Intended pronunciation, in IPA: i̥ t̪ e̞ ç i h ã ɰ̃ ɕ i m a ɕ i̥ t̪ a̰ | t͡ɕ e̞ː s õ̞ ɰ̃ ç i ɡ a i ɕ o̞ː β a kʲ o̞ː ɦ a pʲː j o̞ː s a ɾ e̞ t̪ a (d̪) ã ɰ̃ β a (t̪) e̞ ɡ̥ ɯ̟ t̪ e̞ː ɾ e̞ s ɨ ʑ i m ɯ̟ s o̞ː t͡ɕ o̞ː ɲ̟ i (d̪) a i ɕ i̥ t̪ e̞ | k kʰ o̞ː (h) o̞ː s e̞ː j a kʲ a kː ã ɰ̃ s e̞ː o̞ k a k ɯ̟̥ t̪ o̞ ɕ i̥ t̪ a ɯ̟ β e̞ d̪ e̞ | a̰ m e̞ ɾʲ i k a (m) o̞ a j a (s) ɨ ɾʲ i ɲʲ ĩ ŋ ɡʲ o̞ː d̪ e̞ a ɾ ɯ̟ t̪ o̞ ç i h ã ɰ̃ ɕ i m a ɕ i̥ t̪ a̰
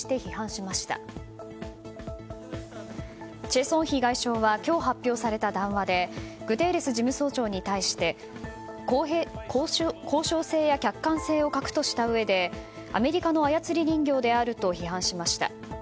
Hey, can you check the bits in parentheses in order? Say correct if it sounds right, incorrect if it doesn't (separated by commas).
correct, incorrect, incorrect, incorrect, incorrect, incorrect